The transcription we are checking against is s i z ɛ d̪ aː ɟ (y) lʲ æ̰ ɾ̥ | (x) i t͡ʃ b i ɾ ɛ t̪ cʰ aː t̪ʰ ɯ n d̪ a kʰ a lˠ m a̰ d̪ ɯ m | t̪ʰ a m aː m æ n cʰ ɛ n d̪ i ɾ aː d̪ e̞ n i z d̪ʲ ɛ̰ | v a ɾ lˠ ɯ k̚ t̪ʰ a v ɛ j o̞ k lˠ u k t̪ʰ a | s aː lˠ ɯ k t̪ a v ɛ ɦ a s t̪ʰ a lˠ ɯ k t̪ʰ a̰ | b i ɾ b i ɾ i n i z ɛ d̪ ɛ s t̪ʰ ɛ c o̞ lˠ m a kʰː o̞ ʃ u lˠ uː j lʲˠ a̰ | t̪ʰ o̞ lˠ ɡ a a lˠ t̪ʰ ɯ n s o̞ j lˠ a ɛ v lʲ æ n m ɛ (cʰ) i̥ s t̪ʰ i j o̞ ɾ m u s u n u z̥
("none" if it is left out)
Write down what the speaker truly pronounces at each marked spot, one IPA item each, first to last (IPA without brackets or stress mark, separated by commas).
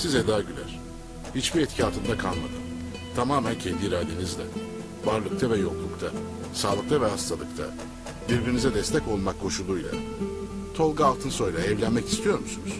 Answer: y, h, c